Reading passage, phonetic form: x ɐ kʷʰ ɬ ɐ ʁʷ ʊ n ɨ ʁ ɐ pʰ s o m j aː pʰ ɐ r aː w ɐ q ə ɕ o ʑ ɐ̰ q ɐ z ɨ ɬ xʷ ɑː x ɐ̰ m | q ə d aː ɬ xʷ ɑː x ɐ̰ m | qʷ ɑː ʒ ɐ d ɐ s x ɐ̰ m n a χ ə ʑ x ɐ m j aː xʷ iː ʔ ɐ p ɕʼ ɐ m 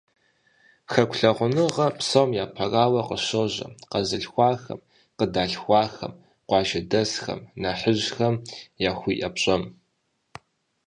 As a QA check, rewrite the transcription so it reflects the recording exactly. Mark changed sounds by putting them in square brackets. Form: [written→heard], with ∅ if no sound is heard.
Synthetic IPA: x ɐ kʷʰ ɬ ɐ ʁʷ ʊ n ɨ ʁ ɐ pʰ s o m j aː pʰ ɐ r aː w ɐ q ə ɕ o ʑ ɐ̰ q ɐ z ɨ ɬ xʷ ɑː x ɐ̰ m | q ə d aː ɬ xʷ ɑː x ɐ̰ m | qʷ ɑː ʒ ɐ d ɐ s x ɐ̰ m n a [χ→ħ] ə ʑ x ɐ m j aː xʷ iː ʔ ɐ p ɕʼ ɐ m